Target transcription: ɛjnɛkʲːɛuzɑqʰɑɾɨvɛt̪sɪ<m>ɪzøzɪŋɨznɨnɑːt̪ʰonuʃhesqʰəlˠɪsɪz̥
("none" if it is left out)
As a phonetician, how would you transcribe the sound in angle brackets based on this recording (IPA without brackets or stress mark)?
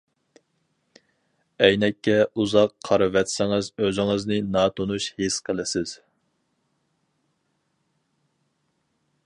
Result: ŋ